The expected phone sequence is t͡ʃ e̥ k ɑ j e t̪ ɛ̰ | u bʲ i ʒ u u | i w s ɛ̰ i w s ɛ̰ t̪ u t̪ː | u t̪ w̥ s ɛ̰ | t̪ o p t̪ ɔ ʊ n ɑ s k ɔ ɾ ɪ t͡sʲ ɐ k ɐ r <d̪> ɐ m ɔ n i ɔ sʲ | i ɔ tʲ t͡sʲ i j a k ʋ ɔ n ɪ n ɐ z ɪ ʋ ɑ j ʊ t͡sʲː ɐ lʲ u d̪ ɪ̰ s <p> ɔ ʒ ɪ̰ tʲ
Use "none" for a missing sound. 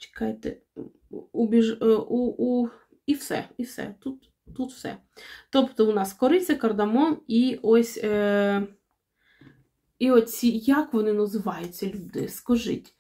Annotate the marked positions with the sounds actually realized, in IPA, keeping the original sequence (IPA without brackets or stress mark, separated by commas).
d̪, k